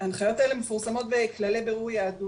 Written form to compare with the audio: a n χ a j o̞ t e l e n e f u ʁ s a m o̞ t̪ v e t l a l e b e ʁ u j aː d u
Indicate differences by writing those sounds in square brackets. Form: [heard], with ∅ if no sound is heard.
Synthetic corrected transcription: a n χ a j o̞ t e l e [m] e f u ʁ s a m o̞ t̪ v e [k] l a l e b e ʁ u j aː d u